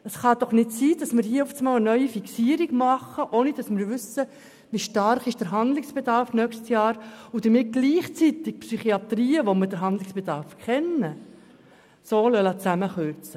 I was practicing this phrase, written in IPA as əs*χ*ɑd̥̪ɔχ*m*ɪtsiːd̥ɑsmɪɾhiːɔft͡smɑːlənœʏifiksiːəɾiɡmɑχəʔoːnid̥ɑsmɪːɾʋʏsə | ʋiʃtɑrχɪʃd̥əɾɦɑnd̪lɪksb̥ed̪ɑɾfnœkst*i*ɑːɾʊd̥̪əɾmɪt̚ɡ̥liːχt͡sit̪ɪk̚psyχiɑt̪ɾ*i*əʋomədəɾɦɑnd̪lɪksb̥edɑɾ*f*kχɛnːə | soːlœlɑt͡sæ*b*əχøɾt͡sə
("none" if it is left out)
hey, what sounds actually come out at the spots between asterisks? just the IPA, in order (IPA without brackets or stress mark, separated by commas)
χ, n, j, iː, f, m